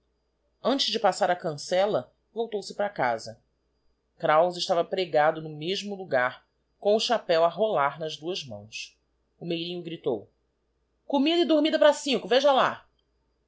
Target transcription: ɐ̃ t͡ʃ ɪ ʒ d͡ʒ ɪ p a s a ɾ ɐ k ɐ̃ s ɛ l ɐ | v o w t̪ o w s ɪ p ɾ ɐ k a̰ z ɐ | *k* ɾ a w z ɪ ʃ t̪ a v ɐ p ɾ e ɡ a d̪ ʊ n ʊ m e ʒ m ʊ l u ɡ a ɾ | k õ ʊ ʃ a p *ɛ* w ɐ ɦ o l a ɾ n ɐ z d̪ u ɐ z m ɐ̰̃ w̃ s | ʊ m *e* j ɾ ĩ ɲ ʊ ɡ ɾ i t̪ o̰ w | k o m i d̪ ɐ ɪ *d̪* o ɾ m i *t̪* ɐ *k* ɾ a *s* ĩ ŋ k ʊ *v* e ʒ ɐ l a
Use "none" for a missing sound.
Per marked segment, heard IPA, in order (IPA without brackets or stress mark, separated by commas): k, ɛ, e, d̪, d̪, p, s, v